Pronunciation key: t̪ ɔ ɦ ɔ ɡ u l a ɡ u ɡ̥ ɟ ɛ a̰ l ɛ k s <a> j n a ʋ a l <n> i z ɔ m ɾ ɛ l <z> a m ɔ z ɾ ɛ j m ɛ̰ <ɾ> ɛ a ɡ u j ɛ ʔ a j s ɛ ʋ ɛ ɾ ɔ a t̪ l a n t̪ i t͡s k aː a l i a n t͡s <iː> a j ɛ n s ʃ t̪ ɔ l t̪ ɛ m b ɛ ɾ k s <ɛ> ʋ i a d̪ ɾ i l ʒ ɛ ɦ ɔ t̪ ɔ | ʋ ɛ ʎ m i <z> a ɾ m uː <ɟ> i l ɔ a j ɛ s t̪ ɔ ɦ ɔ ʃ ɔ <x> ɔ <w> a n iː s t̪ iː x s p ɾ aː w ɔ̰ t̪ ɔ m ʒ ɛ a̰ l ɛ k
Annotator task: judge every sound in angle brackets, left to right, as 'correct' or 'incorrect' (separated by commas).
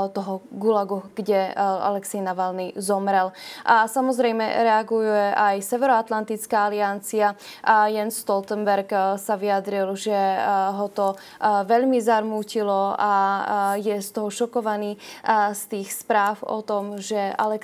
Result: incorrect, correct, incorrect, correct, incorrect, incorrect, correct, incorrect, incorrect, incorrect